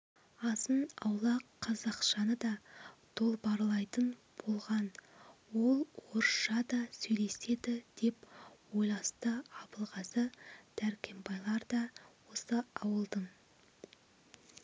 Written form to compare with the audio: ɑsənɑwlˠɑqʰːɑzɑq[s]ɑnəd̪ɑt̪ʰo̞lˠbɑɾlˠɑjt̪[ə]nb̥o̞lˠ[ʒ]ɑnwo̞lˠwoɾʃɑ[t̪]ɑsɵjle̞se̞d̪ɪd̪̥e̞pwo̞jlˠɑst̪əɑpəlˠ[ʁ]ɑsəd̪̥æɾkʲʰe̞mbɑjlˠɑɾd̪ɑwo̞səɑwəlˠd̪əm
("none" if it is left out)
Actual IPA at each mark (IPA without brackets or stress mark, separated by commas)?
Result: ʃ, ə, ʁ, d̪, ʁ